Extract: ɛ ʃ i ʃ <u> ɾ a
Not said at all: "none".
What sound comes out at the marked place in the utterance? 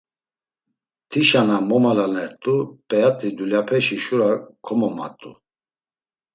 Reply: u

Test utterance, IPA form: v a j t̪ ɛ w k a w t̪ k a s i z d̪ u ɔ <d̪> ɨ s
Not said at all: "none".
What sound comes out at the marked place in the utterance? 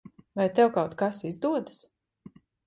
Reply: d̪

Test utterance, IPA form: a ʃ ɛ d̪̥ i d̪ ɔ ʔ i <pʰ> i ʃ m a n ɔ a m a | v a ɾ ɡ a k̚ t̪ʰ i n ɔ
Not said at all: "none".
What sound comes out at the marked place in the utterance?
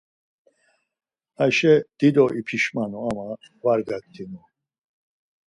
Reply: pʰ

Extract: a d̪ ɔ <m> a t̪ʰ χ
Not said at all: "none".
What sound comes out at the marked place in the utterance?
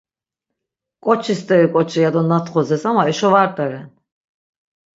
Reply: n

